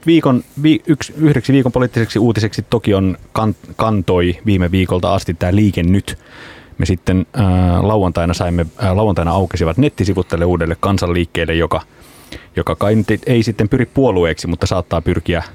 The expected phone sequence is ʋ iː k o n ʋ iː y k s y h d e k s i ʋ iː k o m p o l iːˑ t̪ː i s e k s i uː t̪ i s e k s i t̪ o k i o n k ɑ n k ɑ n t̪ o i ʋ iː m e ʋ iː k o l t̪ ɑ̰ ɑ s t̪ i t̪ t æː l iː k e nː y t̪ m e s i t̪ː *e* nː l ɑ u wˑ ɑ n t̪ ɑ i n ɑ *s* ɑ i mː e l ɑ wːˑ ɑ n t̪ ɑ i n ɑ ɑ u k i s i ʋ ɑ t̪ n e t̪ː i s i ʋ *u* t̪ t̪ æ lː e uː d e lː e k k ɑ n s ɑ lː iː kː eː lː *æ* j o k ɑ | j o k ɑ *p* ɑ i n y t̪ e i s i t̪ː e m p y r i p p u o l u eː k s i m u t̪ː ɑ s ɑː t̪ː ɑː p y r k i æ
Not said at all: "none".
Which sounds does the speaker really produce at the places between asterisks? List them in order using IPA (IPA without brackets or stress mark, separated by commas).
e, s, u, e, k